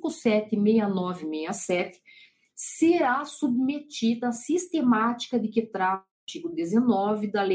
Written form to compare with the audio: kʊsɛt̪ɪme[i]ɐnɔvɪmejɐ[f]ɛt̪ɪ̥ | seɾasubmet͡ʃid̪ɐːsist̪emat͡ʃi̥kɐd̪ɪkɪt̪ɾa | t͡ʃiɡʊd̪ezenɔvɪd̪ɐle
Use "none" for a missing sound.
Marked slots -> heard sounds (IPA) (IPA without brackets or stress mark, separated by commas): j, s